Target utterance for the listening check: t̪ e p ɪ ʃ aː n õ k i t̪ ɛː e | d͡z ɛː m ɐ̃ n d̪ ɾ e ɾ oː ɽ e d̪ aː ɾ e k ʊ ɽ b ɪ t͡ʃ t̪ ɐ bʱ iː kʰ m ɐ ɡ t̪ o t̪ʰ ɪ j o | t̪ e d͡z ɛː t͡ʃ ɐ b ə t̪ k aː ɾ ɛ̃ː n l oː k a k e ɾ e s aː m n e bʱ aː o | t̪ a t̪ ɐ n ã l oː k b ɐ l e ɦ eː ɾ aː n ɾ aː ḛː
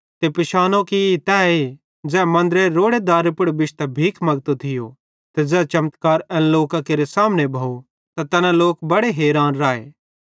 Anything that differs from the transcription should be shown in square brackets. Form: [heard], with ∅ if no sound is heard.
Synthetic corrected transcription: t̪ e p ɪ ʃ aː n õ k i t̪ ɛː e | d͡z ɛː m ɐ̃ n d̪ ɾ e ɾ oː ɽ e d̪ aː ɾ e [p] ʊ ɽ b ɪ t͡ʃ t̪ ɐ bʱ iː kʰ m ɐ ɡ t̪ o t̪ʰ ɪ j o | t̪ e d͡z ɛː t͡ʃ ɐ [m] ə t̪ k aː ɾ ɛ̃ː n l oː k a k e ɾ e s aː m n e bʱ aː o | t̪ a t̪ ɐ n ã l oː k b ɐ [ɽ] e ɦ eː ɾ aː n ɾ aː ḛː